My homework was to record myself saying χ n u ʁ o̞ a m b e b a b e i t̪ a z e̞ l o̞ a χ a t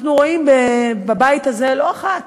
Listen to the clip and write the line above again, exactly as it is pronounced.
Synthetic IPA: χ n u ʁ o̞ i m b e b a b a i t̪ a z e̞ l o̞ a χ a t